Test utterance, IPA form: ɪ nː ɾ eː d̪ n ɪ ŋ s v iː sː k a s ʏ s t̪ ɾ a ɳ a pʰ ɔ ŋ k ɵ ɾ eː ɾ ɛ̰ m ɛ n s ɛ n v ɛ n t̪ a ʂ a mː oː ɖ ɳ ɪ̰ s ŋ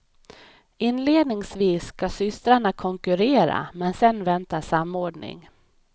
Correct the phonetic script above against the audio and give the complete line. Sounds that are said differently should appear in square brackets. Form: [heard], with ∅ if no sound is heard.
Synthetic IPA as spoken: ɪ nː [l] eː d̪ n ɪ ŋ s v iː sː k a s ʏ s t̪ ɾ a ɳ a [kʰ] ɔ ŋ k ɵ ɾ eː ɾ [a̰] m ɛ n s ɛ n v ɛ n t̪ a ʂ a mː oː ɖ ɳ ɪ̰ [∅] ŋ